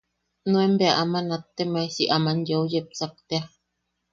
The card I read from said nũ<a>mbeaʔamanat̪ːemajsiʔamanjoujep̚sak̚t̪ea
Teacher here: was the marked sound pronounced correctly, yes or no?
no